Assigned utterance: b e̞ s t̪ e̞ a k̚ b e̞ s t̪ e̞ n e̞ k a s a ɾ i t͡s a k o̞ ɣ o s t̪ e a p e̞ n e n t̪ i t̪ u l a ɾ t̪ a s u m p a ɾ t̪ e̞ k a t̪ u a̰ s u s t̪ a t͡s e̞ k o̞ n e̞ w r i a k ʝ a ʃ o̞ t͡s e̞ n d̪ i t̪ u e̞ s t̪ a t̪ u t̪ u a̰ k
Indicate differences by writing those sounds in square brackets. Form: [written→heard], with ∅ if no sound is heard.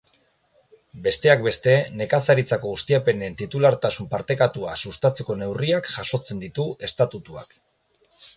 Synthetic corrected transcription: b e̞ s t̪ e̞ a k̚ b e̞ s t̪ e̞ n e̞ k a s a ɾ i t͡s a k o̞ ɣ [o→u] s t̪ [e→i] a p e̞ n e n t̪ i t̪ u l a ɾ t̪ a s u m p a ɾ t̪ e̞ k a t̪ u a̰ s u s t̪ a t͡s e̞ k o̞ n e̞ w r i a k ʝ a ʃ o̞ t͡s e̞ n d̪ i t̪ u e̞ s t̪ a t̪ u t̪ u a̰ k

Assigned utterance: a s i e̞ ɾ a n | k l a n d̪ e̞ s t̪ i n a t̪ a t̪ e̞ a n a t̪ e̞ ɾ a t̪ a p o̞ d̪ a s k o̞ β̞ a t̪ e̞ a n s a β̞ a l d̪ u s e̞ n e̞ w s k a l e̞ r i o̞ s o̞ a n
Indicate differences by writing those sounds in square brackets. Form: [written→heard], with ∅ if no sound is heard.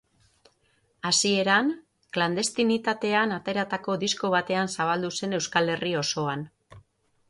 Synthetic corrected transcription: a s i e̞ ɾ a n | k l a n d̪ e̞ s t̪ i n [a→i] t̪ a t̪ e̞ a n a t̪ e̞ ɾ a t̪ a [p→k] o̞ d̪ [a→i] s k o̞ β̞ a t̪ e̞ a n s a β̞ a l d̪ u s e̞ n e̞ w s k a l e̞ r i o̞ s o̞ a n

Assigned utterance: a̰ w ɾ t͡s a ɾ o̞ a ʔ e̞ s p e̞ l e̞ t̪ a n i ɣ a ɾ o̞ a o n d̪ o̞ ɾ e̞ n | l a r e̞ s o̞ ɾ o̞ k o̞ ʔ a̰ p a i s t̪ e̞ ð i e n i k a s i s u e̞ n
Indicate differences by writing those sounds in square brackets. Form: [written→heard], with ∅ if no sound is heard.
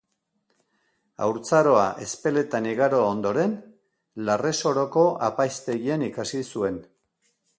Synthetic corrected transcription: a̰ w ɾ t͡s a ɾ o̞ a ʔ e̞ s p e̞ l e̞ t̪ a n i ɣ a ɾ o̞ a o n d̪ o̞ ɾ e̞ n | l a r e̞ s o̞ ɾ o̞ k o̞ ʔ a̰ p a [i→j] s t̪ e̞ [ð→ɣ] i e n i k a s i s u e̞ n

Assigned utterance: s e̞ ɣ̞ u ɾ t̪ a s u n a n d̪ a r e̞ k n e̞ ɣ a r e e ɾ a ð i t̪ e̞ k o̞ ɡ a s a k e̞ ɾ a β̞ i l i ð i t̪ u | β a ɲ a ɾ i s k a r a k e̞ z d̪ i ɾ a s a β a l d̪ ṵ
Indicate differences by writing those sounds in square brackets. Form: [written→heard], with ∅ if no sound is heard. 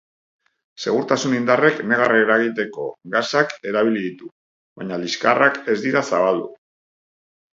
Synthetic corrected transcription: s e̞ ɣ̞ u ɾ t̪ a s u n [a→i] n d̪ a r e̞ k n e̞ ɣ a r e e ɾ a [ð→ɣ] i t̪ e̞ k o̞ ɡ a s a k e̞ ɾ a β̞ i l i ð i t̪ u | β a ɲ a [ɾ→l] i s k a r a k e̞ z d̪ i ɾ a s a β a l d̪ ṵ

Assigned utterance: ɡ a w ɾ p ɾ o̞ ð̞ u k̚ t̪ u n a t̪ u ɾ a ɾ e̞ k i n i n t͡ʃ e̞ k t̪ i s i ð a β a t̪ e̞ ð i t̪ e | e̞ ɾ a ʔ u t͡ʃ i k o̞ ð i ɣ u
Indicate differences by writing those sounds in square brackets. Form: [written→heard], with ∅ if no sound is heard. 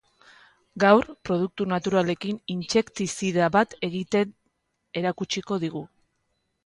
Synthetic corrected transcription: ɡ a w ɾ p ɾ o̞ ð̞ u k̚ t̪ u n a t̪ u ɾ a [ɾ→l] e̞ k i n i n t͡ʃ e̞ k t̪ i s i ð a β a t̪ e̞ [ð→ɣ] i t̪ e | e̞ ɾ a [ʔ→k] u t͡ʃ i k o̞ ð i ɣ u

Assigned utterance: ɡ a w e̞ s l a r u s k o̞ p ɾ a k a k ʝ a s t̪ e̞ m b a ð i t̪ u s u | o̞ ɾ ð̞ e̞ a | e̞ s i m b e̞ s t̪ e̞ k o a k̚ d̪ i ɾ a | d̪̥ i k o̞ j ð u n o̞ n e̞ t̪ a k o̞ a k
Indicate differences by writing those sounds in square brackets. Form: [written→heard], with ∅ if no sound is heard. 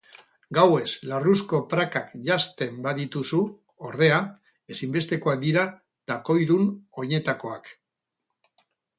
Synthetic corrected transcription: ɡ a w e̞ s l a r u s k o̞ p ɾ a k a k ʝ a s t̪ e̞ m b a ð i t̪ u s u | o̞ ɾ ð̞ e̞ a | e̞ s i m b e̞ s t̪ e̞ k o a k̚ d̪ i ɾ a | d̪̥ [i→a] k o̞ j ð u n o̞ [n→ɲ] e̞ t̪ a k o̞ a k

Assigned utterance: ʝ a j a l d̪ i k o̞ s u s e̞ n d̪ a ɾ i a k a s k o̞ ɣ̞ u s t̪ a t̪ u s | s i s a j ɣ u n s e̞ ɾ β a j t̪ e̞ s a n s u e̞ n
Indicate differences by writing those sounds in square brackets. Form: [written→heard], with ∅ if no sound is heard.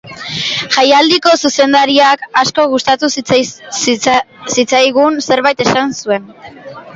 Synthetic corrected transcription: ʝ a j a l d̪ i k o̞ s u s e̞ n d̪ a ɾ i a k a s k o̞ ɣ̞ u s t̪ a t̪ u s | s i [s→t͡s] a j ɣ u n s e̞ ɾ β a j t̪ e̞ s a n s u e̞ n

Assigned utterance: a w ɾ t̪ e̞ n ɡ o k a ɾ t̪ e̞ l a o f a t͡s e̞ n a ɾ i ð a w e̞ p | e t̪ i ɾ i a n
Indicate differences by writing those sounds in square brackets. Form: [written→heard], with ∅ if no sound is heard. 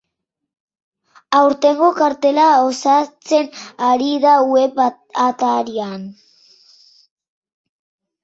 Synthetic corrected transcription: a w ɾ t̪ e̞ [n→ŋ] ɡ o k a ɾ t̪ e̞ l a o [f→s] a t͡s e̞ n a ɾ i ð a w e̞ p | [e→a] t̪ [i→a] ɾ i a n

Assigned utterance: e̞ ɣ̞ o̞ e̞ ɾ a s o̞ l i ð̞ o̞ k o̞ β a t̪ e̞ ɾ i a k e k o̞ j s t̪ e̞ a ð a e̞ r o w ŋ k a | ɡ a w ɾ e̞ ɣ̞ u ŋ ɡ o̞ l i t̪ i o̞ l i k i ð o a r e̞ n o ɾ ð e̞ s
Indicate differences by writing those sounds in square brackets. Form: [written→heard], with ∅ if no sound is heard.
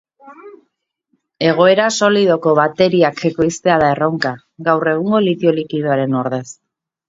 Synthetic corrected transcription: e̞ ɣ̞ o̞ e̞ ɾ a s o̞ l i ð̞ o̞ k o̞ β a t̪ e̞ ɾ i a k e k o̞ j s t̪ e̞ a ð a e̞ r o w ŋ k a | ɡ a w [ɾ→r] e̞ ɣ̞ u ŋ ɡ o̞ l i t̪ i o̞ l i k i ð o a [r→ɾ] e̞ n o ɾ ð e̞ s

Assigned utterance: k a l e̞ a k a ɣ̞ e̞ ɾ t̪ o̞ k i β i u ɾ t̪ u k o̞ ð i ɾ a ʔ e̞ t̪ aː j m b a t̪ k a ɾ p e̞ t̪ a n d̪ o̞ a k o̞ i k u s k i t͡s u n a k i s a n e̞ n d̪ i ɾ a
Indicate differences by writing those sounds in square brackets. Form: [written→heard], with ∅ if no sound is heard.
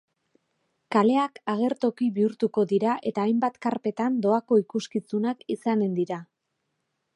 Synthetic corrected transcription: k a l e̞ a k a ɣ̞ e̞ ɾ t̪ o̞ k i β i u ɾ t̪ u k o̞ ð i ɾ a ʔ e̞ t̪ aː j m b a t̪ k a ɾ p e̞ t̪ a n d̪ o̞ a k o̞ i k u s k i t͡s u n a k i s a n e̞ n d̪ i ɾ a

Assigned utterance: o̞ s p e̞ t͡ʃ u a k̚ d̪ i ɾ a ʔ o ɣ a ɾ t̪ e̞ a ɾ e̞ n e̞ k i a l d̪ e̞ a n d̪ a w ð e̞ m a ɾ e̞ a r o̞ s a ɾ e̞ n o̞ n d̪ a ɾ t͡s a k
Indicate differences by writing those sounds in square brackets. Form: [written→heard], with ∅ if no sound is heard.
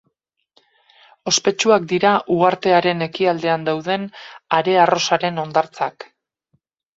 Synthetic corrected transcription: o̞ s p e̞ t͡ʃ u a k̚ d̪ i ɾ a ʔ [o→u] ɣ a ɾ t̪ e̞ a ɾ e̞ n e̞ k i a l d̪ e̞ a n d̪ a w ð e̞ [m→n] a ɾ e̞ a r o̞ s a ɾ e̞ n o̞ n d̪ a ɾ t͡s a k

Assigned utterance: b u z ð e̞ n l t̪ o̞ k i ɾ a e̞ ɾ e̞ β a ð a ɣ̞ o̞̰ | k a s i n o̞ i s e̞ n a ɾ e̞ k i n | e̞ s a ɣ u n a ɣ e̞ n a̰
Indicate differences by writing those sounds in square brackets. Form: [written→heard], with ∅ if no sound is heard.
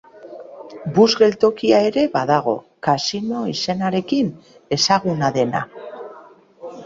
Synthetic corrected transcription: b u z [ð→ɣ] e̞ [n→∅] l t̪ o̞ k i [ɾ→∅] a e̞ ɾ e̞ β a ð a ɣ̞ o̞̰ | k a s i n o̞ i s e̞ n a ɾ e̞ k i n | e̞ s a ɣ u n a [ɣ→ð] e̞ n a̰

